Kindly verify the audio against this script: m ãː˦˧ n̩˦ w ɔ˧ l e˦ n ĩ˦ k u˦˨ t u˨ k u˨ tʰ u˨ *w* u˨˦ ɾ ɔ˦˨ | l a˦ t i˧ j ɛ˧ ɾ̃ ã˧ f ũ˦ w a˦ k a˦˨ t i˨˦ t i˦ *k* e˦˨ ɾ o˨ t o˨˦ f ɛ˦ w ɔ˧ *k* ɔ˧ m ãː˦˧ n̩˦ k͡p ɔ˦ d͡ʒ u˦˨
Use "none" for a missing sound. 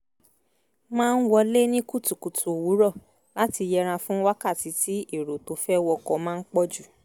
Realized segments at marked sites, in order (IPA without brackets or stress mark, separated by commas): w, none, k